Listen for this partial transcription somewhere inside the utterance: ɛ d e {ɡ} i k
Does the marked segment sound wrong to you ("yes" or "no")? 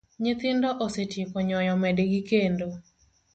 no